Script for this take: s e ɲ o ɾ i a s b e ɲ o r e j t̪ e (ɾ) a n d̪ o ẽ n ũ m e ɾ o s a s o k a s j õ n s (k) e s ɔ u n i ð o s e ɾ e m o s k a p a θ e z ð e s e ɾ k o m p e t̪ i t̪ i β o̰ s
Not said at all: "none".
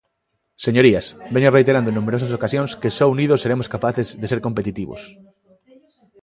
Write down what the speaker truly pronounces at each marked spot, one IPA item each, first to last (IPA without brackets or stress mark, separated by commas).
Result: ɾ, k